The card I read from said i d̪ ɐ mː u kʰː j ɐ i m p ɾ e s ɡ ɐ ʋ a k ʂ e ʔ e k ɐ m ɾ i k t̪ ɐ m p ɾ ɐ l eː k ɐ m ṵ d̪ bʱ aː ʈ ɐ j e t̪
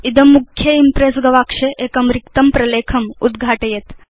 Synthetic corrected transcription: i d̪ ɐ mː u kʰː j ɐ i m p ɾ e s ɡ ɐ ʋ a k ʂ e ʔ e k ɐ m ɾ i k t̪ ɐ m p ɾ ɐ l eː kʰ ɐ m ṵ d̪ ɡʱ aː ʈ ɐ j e t̪